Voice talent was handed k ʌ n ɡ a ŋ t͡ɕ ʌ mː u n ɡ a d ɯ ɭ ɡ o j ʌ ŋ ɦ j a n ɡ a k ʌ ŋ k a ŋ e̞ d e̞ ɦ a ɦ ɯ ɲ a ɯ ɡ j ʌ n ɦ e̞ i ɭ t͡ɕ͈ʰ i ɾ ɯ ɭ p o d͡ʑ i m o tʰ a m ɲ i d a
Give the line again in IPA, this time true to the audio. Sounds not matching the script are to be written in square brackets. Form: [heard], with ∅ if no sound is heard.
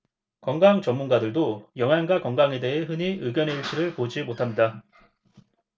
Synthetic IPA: k ʌ [ŋ] ɡ a ŋ t͡ɕ ʌ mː u n ɡ a d ɯ ɭ [d] o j ʌ ŋ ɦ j a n ɡ a k ʌ ŋ [ɡ] a ŋ e̞ d e̞ ɦ [e] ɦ ɯ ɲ [i] ɯ ɡ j ʌ n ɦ e̞ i ɭ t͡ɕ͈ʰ i ɾ ɯ ɭ p o d͡ʑ i m o tʰ a m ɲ i d a